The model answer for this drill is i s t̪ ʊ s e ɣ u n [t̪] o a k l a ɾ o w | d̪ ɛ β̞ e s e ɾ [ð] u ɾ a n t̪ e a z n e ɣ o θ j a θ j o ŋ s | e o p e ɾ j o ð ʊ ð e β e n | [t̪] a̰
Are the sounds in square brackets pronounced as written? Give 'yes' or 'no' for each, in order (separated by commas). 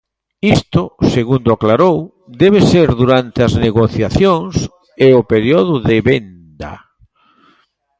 no, yes, no